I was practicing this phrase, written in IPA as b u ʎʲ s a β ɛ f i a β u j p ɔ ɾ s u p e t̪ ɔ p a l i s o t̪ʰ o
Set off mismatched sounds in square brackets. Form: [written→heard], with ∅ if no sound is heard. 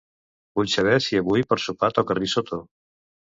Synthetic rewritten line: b u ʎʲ s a β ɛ [f→s] i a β u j p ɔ ɾ s u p [e→a] t̪ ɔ [p→k] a [l→r] i s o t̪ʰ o